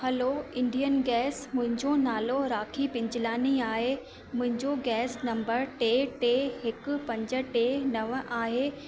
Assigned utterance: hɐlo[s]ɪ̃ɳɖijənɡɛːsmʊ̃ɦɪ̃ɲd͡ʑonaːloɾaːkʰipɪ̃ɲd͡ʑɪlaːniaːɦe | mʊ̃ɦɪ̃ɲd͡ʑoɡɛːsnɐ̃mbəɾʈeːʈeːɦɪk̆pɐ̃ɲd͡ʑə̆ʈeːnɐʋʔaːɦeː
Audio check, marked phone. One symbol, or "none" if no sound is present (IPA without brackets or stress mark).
none